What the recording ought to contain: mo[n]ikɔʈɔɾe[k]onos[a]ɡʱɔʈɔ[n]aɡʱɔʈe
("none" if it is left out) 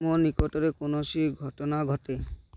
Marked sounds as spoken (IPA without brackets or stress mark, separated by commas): n, k, i, n